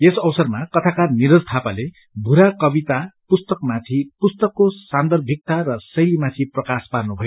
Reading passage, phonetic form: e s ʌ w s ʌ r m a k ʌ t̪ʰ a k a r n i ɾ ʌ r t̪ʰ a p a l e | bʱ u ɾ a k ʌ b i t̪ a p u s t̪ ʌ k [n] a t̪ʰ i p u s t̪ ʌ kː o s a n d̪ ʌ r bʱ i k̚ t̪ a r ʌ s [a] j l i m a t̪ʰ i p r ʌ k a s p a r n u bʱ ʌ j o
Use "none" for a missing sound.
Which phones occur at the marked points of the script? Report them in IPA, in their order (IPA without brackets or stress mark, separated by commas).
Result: m, ʌ